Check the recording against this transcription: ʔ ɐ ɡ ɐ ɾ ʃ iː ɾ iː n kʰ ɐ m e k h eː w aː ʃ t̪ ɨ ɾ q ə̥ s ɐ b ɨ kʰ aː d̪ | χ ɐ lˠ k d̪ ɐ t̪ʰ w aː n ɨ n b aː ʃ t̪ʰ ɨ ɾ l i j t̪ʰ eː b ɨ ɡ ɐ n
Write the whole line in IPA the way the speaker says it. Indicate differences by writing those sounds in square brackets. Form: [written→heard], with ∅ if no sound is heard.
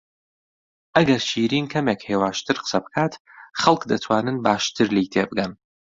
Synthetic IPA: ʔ ɐ ɡ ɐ ɾ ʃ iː ɾ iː n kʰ ɐ m e k h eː w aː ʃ t̪ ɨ ɾ q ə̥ s ɐ b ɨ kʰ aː [d̪→t̪] | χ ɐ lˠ k d̪ ɐ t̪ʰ w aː n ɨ n b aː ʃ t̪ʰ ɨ ɾ l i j t̪ʰ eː b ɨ ɡ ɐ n